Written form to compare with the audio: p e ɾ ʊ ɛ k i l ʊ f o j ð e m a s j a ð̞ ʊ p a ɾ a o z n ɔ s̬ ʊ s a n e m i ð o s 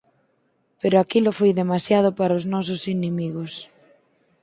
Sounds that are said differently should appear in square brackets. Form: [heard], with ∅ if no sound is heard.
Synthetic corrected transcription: p e ɾ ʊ [a] k i l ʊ f o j ð e m a s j a ð̞ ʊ p a ɾ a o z n ɔ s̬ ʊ s [i] n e m i [ɣ] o s